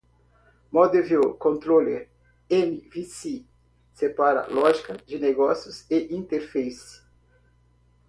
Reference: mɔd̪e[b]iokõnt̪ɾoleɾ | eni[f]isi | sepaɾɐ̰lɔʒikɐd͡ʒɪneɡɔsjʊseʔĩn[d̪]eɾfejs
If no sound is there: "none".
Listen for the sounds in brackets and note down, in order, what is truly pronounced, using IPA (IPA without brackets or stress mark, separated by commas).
v, v, t̪